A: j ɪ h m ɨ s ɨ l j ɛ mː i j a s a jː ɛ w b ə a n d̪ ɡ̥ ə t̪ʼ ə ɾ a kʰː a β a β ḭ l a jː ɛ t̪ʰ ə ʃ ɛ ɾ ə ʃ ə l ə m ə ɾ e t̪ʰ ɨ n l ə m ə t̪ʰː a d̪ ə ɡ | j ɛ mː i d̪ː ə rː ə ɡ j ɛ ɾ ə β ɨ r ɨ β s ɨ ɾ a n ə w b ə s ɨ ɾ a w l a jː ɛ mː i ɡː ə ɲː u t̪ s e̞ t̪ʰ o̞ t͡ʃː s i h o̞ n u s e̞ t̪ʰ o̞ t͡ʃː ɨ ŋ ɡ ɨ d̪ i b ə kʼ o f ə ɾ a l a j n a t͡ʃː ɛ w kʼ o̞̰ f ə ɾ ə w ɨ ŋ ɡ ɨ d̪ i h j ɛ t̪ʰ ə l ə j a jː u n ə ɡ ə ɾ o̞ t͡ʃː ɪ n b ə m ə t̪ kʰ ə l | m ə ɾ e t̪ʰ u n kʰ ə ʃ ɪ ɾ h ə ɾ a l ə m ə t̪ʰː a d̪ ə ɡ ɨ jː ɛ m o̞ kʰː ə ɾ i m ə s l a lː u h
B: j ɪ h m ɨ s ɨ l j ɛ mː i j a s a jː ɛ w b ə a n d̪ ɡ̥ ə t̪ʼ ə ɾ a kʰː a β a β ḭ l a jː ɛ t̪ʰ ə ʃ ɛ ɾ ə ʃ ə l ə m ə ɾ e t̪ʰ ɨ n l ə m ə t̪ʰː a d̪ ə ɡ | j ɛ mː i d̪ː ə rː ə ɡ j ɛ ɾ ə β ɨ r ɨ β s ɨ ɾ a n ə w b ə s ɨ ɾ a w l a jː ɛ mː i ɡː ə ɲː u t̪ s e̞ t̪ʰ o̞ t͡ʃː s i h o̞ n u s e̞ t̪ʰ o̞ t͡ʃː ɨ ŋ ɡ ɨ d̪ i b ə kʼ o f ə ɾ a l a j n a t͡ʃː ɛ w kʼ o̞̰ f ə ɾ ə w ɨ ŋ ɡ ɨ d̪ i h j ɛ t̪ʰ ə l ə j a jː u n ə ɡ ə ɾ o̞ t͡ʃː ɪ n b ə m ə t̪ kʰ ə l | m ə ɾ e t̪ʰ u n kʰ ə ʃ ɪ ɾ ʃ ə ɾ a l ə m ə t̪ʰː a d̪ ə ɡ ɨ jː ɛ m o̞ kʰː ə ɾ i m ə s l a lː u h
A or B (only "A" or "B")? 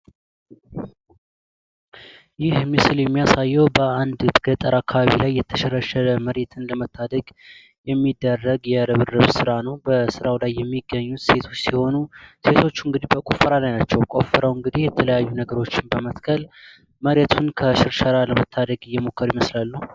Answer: B